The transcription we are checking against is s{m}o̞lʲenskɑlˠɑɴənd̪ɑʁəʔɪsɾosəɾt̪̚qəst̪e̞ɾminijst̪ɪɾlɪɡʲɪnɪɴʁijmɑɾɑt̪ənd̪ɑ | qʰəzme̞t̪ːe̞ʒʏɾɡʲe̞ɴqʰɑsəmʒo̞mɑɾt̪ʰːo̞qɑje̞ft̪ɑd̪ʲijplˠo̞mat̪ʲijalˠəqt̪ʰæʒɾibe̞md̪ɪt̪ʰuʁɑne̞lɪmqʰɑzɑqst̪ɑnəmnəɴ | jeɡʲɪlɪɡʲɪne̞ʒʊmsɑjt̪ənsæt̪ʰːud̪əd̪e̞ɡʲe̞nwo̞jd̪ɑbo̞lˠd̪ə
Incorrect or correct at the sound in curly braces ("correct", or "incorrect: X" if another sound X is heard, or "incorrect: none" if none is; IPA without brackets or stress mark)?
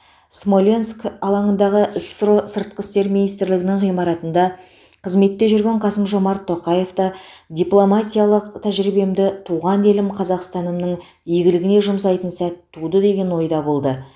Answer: correct